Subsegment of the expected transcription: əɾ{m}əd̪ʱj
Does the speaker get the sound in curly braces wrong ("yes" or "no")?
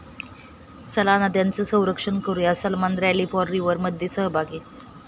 no